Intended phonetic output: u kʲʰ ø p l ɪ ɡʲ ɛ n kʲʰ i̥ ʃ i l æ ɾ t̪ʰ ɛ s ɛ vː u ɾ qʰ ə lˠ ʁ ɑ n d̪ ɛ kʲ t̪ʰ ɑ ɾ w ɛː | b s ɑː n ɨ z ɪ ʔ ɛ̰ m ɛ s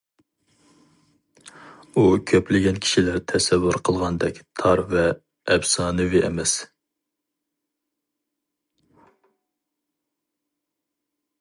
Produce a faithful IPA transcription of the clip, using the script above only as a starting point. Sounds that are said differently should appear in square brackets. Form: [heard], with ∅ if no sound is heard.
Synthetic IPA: u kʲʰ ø p l ɪ ɡʲ ɛ n kʲʰ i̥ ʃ i l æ ɾ t̪ʰ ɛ s ɛ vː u ɾ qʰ ə lˠ ʁ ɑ n d̪ ɛ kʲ t̪ʰ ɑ ɾ [v] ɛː | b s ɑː n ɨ [v] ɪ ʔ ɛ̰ m ɛ s